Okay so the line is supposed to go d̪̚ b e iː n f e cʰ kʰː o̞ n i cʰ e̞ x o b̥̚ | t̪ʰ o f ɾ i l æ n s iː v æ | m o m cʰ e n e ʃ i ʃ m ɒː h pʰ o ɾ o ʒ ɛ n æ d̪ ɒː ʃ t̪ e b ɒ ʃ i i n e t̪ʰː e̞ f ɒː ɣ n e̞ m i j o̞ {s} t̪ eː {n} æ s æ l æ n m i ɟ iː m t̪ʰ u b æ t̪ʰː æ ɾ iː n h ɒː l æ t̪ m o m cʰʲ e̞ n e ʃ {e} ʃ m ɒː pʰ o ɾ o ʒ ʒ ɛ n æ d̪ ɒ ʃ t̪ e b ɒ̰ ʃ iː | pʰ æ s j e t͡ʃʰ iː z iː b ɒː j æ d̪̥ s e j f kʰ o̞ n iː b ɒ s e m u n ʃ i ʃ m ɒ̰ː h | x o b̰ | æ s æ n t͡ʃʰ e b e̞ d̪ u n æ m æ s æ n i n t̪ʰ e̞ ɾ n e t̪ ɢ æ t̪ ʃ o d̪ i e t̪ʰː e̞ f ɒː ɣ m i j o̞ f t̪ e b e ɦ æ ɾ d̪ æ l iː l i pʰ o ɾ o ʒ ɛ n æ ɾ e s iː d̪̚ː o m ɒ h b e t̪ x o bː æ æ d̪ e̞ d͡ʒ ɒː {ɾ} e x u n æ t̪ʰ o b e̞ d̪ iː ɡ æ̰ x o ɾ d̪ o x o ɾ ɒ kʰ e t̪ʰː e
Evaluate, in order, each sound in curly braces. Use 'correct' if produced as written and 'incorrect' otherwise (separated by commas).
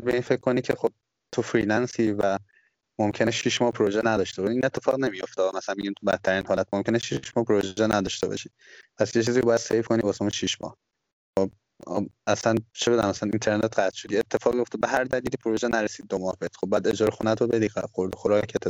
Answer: incorrect, incorrect, incorrect, correct